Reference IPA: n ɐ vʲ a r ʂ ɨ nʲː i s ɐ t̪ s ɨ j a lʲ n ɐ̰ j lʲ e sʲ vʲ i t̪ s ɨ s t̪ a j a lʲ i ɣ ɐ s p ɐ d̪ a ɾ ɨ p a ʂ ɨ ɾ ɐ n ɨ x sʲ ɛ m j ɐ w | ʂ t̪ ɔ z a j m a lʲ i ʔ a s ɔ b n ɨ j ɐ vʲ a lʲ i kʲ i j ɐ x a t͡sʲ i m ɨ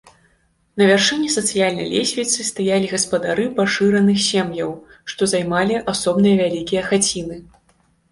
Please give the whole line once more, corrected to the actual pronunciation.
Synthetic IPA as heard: n ɐ vʲ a r ʂ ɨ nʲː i s ɐ t̪ s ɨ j a lʲ n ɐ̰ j lʲ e sʲ vʲ i t̪ s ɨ s t̪ a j a lʲ i ɣ ɐ s p ɐ d̪ a ɾ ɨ p a ʂ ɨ ɾ ɐ n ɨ x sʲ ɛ m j ɐ w | ʂ t̪ ɔ z a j m a lʲ i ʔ a s ɔ b n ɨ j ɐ vʲ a lʲ i kʲ i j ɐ x a t͡sʲ i n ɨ